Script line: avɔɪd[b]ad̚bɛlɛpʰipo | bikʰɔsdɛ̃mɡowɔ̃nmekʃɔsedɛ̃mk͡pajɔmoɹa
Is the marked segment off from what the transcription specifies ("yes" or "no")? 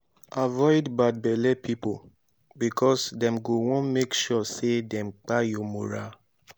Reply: no